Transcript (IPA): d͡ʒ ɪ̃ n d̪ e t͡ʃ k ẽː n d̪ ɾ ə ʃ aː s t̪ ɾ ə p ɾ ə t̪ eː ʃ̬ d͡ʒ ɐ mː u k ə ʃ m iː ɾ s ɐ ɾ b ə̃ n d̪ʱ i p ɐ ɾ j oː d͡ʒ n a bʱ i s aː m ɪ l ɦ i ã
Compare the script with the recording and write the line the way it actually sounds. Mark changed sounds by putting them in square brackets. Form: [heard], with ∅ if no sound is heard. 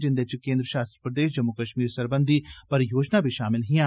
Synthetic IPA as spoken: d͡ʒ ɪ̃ n d̪ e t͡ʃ k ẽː n d̪ ɾ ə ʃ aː s t̪ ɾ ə p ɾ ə [d̪] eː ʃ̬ d͡ʒ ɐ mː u k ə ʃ m iː ɾ s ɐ ɾ b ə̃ n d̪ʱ i p ɐ ɾ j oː d͡ʒ n a bʱ i [ʃ] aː m ɪ l ɦ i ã